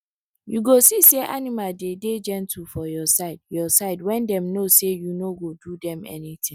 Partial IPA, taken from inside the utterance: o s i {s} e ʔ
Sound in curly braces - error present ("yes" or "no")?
no